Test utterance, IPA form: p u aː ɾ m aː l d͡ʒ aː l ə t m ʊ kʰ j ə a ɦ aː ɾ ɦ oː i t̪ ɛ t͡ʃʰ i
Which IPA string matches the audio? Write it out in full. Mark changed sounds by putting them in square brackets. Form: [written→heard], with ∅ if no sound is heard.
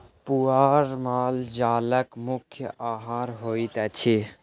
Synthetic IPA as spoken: p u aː ɾ m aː l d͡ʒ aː l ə [t→k] m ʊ kʰ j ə a ɦ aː ɾ ɦ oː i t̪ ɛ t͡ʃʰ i